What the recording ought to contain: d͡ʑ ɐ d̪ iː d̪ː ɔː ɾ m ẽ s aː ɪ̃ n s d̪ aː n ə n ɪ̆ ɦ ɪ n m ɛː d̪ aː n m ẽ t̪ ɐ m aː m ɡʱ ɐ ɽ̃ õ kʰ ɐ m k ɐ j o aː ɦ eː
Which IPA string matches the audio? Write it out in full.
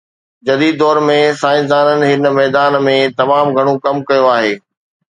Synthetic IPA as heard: d͡ʑ ɐ d̪ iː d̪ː ɔː ɾ m ẽ s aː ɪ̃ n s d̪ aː n ə n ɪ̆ ɦ ɪ n m ɛː d̪ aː n m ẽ t̪ ɐ m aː m ɡʱ ɐ ɽ̃ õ k ɐ m k ɐ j o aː ɦ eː